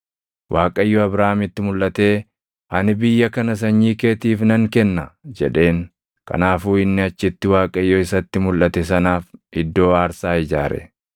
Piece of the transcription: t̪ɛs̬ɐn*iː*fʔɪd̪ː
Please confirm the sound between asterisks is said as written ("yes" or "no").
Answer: no